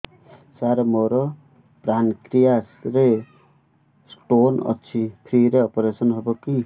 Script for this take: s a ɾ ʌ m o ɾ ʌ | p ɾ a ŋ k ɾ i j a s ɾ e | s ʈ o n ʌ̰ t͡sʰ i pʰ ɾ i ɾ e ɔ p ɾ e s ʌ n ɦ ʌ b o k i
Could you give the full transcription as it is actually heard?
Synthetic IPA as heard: s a ɾ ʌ m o ɾ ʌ | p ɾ a n k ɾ i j a s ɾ e | s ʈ o n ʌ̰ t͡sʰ i pʰ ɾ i ɾ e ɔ p ɾ e s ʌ n ɦ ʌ b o k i